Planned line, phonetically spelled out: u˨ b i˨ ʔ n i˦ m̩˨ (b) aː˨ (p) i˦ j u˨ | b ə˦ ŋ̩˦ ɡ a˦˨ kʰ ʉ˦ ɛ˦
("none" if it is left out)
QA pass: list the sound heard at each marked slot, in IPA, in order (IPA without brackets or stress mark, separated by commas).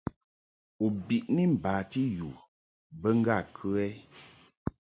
b, t